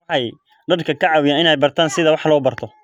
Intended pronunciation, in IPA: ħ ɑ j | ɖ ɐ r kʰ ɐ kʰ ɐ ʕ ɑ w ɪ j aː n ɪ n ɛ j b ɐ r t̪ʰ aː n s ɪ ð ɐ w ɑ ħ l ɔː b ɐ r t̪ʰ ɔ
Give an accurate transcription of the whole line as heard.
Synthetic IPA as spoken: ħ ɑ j | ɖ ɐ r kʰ ɐ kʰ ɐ ʕ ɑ w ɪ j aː n ɪ n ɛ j b ɐ r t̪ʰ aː n s ɪ ð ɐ w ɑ ħ l ɔː b ɐ r t̪ʰ ɔ